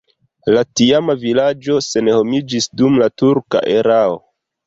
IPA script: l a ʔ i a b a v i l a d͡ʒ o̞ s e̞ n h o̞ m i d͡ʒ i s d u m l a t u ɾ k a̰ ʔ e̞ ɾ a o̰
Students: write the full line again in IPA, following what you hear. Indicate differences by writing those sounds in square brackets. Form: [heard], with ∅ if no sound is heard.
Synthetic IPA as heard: l a [t] i a [m] a v i l a d͡ʒ o̞ s e̞ n h o̞ m i d͡ʒ i s d u m l a t u ɾ k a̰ ʔ e̞ ɾ a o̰